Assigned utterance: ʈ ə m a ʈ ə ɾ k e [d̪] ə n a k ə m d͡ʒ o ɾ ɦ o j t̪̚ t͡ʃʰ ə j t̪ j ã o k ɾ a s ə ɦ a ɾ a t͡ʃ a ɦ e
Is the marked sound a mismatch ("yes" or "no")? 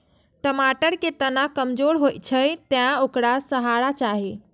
yes